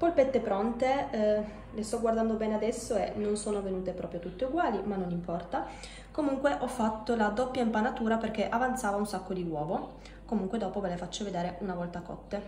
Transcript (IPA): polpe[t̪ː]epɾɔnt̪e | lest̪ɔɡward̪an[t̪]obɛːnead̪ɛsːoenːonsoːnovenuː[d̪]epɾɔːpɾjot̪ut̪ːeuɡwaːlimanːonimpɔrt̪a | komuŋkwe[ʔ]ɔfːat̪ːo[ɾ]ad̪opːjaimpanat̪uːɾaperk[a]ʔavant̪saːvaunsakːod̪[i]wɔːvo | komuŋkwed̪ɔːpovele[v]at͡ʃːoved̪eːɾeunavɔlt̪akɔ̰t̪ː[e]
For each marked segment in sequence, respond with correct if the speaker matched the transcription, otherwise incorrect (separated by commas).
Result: correct, incorrect, incorrect, correct, incorrect, incorrect, correct, incorrect, correct